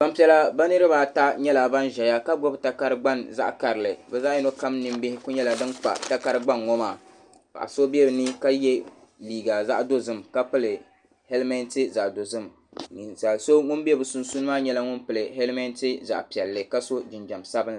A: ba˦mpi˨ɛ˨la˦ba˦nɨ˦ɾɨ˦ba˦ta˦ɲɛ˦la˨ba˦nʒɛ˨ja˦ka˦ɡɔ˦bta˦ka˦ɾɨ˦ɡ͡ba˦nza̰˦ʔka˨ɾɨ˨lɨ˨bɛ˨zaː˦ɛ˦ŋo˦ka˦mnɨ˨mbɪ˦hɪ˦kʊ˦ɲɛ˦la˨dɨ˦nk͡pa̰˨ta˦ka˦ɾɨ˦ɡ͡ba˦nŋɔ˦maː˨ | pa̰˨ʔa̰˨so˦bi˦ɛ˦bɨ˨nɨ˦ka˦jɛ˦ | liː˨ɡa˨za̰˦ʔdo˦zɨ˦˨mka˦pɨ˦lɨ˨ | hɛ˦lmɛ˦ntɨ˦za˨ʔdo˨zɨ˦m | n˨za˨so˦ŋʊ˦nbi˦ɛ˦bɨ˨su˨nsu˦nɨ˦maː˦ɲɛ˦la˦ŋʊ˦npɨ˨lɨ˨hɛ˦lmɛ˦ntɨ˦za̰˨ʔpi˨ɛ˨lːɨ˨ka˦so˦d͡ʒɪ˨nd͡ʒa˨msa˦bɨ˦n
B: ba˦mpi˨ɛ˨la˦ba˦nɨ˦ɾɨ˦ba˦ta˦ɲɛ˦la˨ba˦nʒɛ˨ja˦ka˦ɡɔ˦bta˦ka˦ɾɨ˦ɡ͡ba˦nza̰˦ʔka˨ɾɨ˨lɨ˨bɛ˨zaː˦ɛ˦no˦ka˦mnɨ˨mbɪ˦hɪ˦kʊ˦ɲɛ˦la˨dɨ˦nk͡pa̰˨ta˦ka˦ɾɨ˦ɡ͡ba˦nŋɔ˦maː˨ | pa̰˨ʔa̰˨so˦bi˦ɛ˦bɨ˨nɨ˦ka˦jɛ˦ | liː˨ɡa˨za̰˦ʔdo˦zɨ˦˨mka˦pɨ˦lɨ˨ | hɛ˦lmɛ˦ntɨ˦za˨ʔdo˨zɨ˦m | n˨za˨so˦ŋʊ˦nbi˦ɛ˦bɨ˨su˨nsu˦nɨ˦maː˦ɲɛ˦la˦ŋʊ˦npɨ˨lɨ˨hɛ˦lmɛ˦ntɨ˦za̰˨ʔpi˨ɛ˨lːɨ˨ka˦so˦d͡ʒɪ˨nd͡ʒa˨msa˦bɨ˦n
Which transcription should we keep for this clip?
B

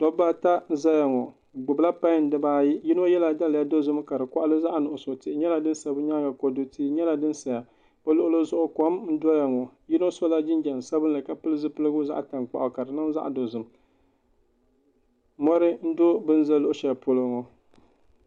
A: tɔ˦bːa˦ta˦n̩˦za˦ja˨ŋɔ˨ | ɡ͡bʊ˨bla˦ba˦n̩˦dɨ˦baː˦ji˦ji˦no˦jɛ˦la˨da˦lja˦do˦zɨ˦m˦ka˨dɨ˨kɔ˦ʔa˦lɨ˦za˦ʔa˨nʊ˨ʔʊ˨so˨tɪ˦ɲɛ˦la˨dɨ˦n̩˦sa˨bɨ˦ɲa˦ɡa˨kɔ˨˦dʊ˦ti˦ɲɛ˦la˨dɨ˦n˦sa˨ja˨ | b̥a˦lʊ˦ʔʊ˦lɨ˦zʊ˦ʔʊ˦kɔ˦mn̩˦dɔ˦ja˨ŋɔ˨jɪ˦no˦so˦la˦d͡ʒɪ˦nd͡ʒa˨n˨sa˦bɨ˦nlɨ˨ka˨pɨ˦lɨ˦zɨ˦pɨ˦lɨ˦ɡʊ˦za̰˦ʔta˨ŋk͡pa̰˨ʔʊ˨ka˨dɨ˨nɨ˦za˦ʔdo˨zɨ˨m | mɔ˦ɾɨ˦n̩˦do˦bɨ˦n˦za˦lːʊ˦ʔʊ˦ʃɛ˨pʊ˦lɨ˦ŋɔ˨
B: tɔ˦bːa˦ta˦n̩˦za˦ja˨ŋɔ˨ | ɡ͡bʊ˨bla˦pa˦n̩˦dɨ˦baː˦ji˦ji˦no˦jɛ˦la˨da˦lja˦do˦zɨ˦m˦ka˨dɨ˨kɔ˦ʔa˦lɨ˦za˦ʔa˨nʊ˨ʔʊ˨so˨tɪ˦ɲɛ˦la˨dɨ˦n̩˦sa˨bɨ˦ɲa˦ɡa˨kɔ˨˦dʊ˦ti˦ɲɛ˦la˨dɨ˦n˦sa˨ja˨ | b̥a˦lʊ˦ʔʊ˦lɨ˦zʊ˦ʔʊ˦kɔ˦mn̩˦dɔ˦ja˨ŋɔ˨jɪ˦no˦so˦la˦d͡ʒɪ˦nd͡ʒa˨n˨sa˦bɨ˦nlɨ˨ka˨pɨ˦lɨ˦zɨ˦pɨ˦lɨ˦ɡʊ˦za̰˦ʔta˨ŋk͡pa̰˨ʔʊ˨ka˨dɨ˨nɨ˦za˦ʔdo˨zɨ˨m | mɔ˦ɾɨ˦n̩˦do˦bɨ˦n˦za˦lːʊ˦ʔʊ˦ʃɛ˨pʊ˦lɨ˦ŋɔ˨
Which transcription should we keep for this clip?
B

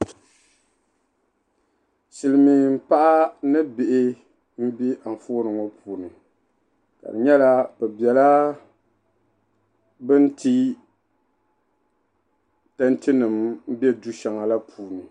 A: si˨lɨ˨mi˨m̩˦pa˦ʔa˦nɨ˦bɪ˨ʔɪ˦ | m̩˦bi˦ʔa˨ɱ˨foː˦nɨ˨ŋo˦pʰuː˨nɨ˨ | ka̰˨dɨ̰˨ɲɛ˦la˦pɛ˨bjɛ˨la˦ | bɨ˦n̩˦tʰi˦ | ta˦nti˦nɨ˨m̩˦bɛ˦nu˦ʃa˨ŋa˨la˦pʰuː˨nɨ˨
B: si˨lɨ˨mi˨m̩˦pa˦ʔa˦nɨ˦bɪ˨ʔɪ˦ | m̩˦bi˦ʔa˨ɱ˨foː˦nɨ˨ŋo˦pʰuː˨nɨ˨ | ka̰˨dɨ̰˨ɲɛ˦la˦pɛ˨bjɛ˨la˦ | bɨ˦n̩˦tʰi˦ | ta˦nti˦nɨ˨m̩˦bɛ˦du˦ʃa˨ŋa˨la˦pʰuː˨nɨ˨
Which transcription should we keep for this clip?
B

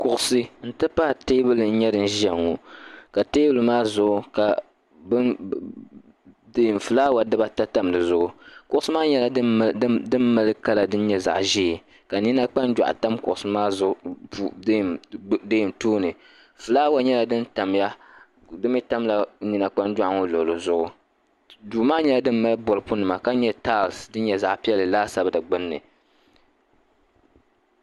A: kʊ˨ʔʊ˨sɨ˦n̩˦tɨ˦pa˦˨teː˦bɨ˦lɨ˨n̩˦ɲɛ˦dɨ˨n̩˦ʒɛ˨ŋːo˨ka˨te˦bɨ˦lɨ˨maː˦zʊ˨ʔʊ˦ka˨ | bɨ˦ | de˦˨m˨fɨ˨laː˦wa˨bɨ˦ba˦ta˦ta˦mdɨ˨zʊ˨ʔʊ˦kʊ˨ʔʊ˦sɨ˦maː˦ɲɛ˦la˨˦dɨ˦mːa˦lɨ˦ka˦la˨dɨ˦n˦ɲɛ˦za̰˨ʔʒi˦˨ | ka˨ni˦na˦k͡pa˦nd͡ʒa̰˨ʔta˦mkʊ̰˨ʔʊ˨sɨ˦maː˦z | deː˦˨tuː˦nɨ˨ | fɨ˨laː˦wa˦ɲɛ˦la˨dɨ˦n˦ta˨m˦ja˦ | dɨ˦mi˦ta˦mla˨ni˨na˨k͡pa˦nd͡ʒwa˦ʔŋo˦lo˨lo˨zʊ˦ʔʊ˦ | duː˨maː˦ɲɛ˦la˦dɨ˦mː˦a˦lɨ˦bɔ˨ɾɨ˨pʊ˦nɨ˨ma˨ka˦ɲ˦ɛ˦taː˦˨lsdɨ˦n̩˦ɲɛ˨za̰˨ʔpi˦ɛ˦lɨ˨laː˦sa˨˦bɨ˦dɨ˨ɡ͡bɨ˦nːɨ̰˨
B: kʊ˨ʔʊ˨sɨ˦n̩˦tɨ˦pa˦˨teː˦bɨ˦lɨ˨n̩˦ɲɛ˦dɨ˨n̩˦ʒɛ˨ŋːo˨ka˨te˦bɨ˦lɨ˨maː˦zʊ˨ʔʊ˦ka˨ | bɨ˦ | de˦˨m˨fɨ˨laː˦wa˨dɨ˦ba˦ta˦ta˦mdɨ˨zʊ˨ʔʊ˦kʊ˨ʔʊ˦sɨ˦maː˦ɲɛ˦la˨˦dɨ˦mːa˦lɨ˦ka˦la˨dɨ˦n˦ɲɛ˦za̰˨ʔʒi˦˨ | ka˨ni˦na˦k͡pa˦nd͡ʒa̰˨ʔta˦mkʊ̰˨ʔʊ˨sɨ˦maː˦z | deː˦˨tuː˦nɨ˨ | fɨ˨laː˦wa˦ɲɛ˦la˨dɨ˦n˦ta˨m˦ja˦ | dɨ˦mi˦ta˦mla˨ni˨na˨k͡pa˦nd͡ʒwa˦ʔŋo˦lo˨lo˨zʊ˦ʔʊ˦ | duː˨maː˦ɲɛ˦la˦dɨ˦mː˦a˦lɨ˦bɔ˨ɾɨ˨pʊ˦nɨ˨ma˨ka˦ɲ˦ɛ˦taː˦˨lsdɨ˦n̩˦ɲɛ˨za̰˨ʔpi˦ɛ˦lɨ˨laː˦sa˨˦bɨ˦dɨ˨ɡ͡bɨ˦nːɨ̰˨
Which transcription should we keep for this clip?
B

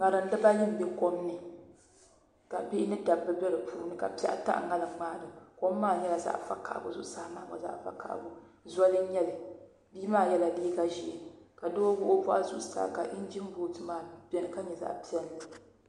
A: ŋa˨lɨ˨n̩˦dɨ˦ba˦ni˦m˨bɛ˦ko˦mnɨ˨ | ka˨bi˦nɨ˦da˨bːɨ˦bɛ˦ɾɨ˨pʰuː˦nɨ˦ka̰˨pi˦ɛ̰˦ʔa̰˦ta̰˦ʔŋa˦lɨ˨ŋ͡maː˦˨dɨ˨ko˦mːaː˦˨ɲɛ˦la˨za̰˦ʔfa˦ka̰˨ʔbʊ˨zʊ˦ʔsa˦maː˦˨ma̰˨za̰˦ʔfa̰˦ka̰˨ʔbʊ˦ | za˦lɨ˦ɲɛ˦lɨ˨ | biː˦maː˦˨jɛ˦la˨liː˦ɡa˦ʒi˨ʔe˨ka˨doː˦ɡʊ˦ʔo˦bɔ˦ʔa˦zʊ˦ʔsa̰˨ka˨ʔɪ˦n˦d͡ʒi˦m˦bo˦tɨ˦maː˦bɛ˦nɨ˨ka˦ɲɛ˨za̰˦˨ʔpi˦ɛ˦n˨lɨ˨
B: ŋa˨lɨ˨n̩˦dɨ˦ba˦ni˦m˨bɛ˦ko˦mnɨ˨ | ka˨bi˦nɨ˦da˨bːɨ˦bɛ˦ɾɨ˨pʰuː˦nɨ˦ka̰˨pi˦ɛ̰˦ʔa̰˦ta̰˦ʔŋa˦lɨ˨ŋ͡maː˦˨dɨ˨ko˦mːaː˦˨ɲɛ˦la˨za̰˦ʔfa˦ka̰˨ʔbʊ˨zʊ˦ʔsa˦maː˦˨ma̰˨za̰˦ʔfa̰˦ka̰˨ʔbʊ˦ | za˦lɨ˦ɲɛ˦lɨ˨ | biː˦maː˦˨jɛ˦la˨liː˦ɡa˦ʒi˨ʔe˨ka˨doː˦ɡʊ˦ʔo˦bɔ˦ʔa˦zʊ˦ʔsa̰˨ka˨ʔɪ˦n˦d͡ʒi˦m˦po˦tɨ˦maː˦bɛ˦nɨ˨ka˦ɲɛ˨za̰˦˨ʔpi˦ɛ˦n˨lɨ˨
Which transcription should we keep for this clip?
A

